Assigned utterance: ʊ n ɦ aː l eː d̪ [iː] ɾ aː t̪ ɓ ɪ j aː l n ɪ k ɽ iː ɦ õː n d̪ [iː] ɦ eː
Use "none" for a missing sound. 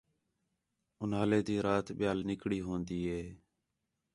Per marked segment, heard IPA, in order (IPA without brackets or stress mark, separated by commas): iː, iː